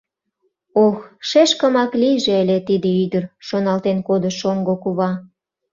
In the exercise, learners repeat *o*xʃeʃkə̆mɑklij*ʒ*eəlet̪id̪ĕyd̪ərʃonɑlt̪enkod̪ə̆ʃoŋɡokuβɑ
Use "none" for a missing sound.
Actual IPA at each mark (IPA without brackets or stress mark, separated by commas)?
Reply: o, ʒ